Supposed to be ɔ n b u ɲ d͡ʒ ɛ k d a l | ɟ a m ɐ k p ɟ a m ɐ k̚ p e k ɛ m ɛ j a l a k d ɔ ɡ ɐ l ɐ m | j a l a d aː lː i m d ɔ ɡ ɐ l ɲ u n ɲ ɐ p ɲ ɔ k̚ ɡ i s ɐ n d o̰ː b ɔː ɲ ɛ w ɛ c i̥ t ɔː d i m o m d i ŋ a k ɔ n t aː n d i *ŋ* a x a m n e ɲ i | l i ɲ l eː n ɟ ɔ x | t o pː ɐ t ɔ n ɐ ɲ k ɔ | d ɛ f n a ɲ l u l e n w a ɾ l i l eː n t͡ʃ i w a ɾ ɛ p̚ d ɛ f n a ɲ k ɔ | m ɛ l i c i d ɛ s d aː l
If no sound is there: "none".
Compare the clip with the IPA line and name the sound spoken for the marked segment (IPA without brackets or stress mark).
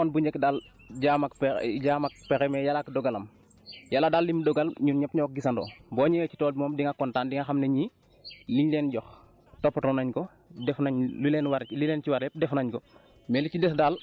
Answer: ŋ